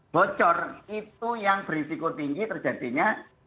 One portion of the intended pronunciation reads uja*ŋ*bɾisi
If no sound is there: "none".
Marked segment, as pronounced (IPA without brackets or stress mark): ŋ